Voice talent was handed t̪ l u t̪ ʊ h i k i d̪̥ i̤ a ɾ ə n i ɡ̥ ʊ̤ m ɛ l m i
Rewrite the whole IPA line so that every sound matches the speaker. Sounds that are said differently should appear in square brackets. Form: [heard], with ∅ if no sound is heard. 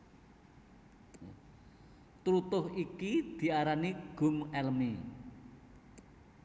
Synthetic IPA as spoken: t̪ [ɾ] u t̪ ʊ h i k i d̪̥ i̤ a ɾ [a] n i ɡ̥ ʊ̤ m ɛ l m i